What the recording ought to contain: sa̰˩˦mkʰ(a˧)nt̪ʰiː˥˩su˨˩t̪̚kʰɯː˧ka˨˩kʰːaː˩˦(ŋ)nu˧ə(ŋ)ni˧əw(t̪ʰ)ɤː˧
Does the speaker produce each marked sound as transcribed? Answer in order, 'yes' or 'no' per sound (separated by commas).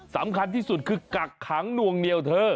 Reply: yes, yes, yes, yes